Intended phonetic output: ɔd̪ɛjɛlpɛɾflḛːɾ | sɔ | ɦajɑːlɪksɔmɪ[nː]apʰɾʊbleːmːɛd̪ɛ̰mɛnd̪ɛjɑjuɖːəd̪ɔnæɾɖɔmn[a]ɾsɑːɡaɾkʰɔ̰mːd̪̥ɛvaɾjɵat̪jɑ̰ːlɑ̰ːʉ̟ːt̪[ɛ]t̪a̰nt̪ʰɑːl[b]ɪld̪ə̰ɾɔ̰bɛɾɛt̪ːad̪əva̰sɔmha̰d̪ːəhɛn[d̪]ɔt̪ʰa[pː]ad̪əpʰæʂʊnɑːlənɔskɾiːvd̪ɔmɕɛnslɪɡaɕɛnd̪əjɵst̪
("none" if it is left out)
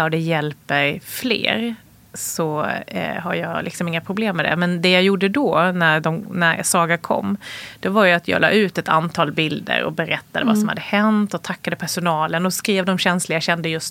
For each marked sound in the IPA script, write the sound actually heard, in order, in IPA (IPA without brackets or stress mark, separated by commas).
ŋː, æ, ɛ, b, t̪, kː